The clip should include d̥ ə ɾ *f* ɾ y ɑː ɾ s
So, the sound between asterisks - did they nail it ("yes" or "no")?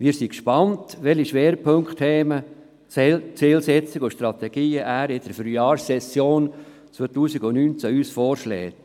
yes